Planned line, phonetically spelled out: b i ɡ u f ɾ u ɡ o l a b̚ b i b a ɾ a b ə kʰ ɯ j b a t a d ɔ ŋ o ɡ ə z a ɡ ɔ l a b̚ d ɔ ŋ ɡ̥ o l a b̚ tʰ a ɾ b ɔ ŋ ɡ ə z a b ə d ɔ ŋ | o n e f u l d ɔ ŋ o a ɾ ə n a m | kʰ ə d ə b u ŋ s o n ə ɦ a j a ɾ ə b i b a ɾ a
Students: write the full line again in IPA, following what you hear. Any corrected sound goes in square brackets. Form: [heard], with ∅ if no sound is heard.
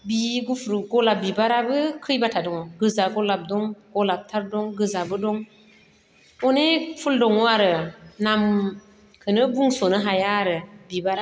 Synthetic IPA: b i ɡ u f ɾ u ɡ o l a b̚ b i b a ɾ a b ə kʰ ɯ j b a t a d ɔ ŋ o ɡ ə z a ɡ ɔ l a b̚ d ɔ ŋ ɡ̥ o l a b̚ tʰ a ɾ [d] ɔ ŋ ɡ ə z a b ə d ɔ ŋ | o n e f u l d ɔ ŋ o a ɾ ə n a m | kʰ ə [n] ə b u ŋ s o n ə ɦ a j a ɾ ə b i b a ɾ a